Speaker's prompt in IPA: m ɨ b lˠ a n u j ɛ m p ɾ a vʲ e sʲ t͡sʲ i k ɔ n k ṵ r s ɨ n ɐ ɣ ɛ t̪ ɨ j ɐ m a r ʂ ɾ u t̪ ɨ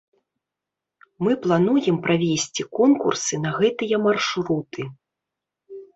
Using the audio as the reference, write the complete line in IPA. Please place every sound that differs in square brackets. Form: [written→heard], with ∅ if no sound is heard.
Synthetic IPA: m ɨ [b→p] lˠ a n u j ɛ m p ɾ a vʲ e sʲ t͡sʲ i k ɔ n k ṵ r s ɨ n ɐ ɣ ɛ t̪ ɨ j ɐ m a r ʂ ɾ u t̪ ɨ